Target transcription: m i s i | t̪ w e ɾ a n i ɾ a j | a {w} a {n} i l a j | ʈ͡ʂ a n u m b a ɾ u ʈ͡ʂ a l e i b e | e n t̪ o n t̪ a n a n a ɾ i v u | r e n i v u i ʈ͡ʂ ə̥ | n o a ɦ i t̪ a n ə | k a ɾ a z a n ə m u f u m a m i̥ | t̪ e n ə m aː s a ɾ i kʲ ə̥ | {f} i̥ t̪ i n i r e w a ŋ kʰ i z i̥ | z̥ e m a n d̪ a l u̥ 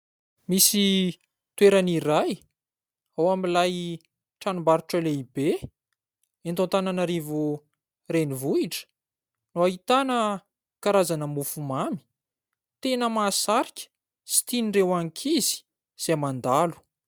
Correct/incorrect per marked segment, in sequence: correct, incorrect: m, incorrect: s

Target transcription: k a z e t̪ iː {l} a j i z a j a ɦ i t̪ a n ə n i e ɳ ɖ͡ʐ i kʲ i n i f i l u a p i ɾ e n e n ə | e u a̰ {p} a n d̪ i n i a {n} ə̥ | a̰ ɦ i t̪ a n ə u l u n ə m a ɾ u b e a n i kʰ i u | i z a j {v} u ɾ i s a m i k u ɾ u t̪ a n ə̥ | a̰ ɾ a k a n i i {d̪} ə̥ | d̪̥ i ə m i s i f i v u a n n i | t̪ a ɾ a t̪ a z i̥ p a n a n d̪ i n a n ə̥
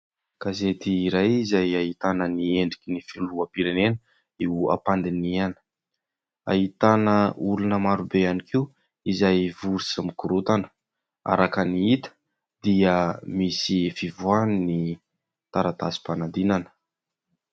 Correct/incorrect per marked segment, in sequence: incorrect: ɾ, correct, correct, correct, incorrect: t̪

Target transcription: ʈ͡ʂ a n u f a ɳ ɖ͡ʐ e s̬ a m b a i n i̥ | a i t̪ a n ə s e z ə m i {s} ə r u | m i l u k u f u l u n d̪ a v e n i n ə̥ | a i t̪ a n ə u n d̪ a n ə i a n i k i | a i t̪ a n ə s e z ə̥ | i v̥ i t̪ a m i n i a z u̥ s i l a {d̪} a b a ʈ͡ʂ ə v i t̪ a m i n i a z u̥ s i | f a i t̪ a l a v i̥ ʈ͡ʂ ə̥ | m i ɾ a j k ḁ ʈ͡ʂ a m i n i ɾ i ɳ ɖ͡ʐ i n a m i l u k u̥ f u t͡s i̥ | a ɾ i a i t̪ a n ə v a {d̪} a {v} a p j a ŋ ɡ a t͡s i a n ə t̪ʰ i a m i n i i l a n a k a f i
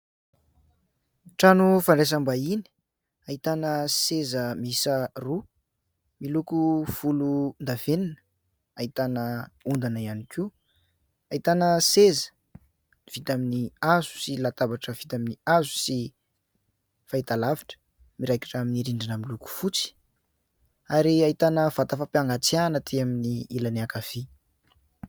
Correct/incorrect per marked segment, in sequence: correct, incorrect: t̪, incorrect: t̪, incorrect: f

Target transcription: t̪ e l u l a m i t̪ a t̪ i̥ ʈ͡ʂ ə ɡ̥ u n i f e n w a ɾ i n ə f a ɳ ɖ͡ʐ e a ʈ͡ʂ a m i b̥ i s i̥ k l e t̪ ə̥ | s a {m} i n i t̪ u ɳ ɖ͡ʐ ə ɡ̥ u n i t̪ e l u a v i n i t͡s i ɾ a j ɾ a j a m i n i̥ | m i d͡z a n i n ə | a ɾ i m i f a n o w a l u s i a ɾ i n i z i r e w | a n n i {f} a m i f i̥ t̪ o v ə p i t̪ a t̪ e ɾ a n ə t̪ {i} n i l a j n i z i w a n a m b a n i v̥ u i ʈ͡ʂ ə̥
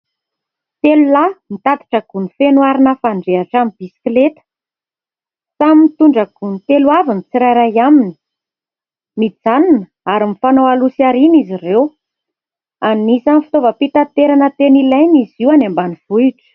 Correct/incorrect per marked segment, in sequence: correct, incorrect: s, incorrect: e

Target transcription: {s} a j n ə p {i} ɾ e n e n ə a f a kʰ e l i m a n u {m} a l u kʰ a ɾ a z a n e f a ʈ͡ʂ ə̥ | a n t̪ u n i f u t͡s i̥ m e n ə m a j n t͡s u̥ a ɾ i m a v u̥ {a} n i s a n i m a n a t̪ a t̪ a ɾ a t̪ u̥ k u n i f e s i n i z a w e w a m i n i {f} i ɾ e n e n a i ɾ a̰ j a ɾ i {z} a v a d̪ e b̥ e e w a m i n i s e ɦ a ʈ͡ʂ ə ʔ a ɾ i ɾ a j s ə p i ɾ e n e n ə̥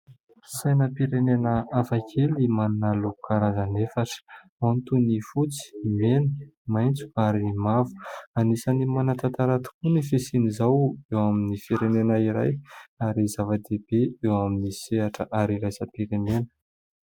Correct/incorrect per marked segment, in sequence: correct, correct, incorrect: n, correct, correct, correct

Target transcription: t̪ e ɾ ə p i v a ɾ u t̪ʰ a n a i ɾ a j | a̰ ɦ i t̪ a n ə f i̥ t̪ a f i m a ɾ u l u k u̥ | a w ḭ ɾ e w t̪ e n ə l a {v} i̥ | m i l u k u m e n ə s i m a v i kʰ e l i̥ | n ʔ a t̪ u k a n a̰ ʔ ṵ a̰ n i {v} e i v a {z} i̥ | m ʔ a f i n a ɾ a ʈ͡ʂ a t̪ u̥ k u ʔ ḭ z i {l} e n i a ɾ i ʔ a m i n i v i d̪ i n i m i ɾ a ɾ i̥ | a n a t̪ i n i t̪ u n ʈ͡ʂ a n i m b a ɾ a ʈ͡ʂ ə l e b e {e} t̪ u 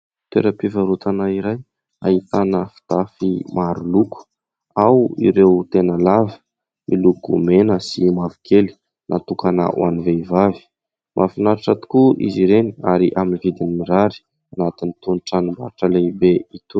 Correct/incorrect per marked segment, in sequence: correct, correct, incorrect: v, incorrect: ɾ, incorrect: i

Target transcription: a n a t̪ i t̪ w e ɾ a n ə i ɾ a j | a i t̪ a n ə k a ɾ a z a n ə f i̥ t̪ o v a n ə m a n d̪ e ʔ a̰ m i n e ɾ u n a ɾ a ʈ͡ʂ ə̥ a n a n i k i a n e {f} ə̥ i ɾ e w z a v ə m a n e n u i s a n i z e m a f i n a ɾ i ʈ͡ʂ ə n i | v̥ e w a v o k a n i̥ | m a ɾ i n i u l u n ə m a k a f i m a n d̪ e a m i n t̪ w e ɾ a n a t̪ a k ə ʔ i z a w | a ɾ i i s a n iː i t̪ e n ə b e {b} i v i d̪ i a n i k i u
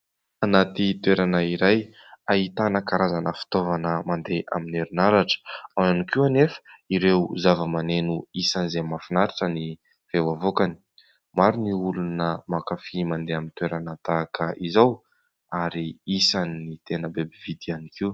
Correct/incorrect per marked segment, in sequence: correct, correct

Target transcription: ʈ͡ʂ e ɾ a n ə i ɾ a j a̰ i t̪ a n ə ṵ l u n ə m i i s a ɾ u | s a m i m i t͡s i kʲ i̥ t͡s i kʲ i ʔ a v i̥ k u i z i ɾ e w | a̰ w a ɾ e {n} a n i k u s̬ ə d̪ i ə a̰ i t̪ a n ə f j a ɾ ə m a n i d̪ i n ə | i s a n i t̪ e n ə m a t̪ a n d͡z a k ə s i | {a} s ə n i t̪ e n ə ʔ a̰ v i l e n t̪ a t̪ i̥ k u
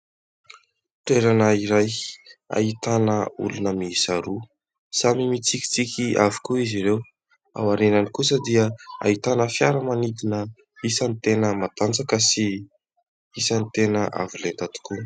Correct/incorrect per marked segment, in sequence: correct, incorrect: i

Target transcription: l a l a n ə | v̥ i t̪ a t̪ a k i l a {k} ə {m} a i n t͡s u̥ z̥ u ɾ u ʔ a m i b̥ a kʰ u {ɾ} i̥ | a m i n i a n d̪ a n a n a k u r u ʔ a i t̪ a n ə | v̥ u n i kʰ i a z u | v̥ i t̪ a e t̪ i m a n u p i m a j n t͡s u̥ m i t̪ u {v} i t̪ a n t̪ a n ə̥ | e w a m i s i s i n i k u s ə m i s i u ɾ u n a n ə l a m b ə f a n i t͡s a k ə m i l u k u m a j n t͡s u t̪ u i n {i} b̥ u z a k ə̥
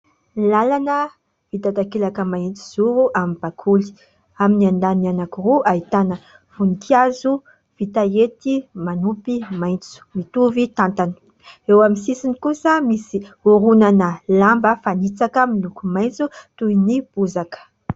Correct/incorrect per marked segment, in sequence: correct, correct, incorrect: l, correct, correct

